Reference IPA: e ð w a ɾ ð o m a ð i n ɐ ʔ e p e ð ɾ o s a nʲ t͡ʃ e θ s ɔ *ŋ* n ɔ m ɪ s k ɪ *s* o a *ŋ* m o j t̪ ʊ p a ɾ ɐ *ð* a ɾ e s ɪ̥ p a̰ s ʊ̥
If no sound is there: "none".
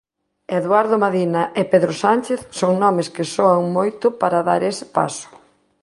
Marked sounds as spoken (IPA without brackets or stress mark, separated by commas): ŋ, s, ŋ, ð